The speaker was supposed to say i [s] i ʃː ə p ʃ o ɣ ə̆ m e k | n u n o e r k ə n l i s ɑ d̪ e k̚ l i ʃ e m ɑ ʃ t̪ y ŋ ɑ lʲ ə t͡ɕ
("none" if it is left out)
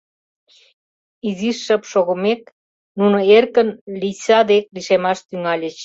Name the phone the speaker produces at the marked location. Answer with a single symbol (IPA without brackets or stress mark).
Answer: z